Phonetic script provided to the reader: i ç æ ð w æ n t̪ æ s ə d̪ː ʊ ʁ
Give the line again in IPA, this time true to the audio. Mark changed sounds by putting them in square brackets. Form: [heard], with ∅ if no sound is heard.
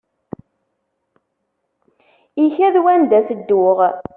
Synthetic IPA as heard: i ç æ ð w æ n [d̪] æ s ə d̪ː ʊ ʁ